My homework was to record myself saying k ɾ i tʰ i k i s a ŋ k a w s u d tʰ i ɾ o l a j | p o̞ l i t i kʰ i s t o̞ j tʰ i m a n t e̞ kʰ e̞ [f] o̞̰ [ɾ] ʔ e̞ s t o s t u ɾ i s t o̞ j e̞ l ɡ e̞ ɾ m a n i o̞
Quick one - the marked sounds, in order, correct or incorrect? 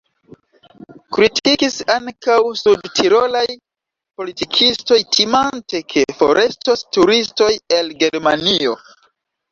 correct, correct

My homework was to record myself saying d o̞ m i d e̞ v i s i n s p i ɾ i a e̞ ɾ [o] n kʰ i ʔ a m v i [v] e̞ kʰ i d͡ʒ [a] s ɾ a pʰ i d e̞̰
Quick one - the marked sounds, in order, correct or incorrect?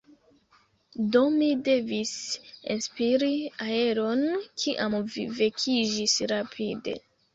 correct, correct, incorrect

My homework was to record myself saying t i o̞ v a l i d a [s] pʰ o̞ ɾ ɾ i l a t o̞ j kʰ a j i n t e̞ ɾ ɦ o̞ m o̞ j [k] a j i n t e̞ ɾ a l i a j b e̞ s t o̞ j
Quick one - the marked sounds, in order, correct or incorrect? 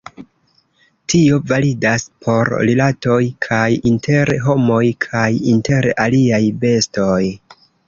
correct, incorrect

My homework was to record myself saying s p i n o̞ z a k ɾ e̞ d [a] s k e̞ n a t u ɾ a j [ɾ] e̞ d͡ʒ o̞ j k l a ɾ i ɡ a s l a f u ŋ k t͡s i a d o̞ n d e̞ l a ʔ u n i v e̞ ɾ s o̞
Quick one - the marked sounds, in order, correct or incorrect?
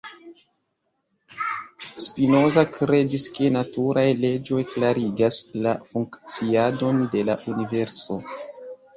incorrect, incorrect

